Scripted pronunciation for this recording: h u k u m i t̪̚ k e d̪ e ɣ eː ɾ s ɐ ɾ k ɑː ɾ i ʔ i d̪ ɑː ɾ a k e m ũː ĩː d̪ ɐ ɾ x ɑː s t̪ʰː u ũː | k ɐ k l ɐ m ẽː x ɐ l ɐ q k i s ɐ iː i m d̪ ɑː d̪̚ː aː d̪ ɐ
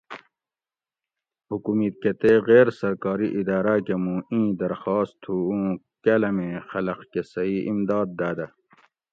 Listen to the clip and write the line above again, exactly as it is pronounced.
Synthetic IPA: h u k u m i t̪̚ k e t̪ e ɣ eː ɾ s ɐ ɾ k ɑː ɾ i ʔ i d̪ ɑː ɾ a k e m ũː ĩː d̪ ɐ ɾ x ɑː s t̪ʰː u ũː | k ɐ l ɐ m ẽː x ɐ l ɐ q k e s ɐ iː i m d̪ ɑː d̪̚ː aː d̪ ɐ